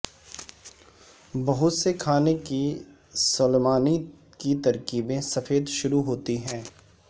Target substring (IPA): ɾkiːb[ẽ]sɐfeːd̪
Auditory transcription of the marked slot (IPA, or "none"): ẽ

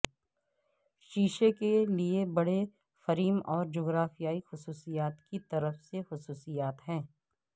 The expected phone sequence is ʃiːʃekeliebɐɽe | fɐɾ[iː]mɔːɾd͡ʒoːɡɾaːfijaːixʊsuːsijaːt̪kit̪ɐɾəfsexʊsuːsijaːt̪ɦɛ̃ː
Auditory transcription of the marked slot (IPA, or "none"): iː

